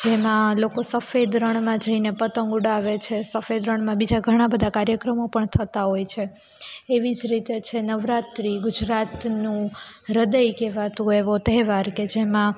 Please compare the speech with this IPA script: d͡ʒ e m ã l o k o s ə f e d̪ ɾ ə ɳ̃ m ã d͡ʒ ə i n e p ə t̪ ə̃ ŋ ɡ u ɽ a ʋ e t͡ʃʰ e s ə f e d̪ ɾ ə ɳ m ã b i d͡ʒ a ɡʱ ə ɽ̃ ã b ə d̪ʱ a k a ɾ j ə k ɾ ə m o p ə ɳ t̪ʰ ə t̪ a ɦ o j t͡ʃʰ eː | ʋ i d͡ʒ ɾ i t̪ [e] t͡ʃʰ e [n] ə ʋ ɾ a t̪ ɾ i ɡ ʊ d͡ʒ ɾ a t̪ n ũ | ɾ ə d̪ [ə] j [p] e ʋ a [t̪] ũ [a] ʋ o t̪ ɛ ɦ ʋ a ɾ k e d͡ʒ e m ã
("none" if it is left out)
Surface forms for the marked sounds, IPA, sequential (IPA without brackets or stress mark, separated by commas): e, n, ə, k, t̪, e